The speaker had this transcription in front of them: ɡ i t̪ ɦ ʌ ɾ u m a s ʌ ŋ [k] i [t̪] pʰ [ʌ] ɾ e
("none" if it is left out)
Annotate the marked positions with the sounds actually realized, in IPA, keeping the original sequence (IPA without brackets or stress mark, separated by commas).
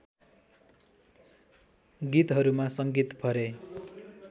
ɡ, t̪, ʌ